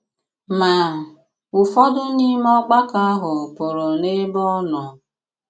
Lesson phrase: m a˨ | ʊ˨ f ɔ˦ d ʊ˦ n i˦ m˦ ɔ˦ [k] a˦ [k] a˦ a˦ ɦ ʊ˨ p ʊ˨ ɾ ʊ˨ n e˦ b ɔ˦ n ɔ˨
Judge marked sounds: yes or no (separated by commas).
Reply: no, yes